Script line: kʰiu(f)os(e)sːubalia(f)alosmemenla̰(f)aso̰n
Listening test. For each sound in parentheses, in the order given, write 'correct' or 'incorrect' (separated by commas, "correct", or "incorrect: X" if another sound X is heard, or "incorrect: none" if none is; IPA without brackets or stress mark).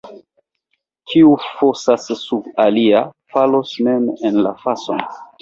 correct, incorrect: a, correct, correct